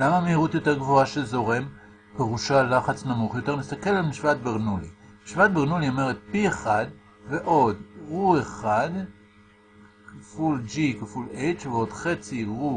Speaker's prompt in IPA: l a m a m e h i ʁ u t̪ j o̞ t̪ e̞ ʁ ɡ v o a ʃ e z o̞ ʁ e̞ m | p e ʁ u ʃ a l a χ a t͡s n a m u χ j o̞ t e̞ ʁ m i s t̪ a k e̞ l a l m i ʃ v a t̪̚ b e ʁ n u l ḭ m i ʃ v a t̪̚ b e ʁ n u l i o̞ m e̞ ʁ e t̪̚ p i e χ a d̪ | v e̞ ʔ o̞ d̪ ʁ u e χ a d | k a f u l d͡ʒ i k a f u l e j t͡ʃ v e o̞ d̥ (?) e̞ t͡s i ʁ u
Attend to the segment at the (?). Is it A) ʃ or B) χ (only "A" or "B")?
B